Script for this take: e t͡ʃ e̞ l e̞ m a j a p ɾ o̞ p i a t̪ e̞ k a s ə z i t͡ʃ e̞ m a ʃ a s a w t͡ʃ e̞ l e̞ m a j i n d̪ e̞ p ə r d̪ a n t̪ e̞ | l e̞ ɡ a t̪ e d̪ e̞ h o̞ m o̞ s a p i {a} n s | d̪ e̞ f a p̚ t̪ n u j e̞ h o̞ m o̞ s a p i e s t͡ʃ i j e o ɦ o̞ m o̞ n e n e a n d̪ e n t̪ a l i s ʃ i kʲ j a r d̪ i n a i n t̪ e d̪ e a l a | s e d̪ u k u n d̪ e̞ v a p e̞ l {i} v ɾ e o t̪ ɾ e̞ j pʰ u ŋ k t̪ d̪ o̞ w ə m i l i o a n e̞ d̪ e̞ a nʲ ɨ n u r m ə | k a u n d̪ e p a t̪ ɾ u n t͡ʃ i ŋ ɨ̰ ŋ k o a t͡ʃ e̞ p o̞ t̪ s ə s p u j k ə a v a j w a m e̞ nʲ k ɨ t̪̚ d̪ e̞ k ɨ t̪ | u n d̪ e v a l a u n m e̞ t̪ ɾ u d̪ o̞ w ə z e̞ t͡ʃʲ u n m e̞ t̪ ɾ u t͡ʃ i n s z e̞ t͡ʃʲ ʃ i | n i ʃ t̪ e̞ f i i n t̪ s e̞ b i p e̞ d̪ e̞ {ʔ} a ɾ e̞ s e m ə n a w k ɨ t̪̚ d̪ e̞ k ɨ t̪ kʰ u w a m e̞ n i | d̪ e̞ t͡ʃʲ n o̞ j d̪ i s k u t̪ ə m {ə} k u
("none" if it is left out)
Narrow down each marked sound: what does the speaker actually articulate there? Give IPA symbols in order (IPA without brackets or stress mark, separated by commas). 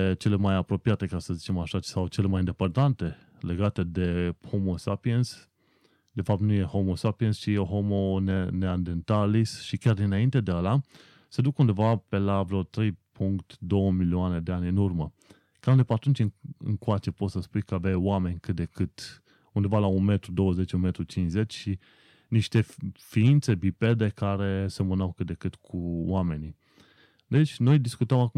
e, a, k, a